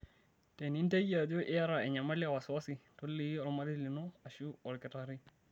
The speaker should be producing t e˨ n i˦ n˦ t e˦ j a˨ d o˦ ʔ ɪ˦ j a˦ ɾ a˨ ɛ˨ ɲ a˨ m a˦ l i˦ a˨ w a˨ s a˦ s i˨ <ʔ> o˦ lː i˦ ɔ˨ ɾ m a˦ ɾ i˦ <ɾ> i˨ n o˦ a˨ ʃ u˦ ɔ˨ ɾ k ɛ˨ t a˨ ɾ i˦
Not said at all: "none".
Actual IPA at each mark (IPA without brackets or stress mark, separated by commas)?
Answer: t, l